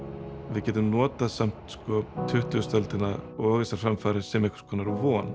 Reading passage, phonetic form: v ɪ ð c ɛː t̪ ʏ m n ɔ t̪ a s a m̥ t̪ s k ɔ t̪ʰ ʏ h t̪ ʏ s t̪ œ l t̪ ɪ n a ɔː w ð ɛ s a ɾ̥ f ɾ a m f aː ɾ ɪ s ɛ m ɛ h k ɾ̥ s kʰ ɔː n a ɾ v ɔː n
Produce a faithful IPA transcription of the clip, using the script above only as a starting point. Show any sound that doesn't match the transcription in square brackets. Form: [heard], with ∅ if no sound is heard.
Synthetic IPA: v ɪ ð c ɛː t̪ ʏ m n [ɔː] t̪ a s a m̥ t̪ s k ɔ t̪ʰ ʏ h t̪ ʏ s t̪ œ l t̪ ɪ n a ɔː [ɣ] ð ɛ s a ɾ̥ f ɾ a m f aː ɾ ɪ s ɛ m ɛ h k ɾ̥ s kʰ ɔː n a ɾ v ɔː n